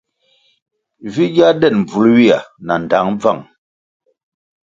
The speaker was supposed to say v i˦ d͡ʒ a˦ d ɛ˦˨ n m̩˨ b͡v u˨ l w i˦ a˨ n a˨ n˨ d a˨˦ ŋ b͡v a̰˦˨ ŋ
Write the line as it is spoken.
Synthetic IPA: v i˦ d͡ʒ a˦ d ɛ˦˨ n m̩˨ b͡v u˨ l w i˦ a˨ n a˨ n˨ d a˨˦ ŋ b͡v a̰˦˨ ŋ